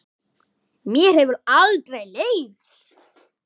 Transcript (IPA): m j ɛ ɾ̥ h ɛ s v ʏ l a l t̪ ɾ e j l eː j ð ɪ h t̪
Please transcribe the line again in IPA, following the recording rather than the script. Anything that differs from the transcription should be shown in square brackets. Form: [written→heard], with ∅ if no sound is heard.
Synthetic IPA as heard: m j ɛ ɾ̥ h ɛ [s→∅] v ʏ [l→ɾ] a l t̪ ɾ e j l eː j [ð→v] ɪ [h→s] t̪